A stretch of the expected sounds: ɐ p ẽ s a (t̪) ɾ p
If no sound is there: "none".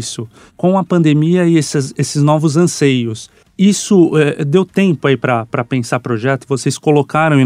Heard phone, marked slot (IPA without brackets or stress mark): none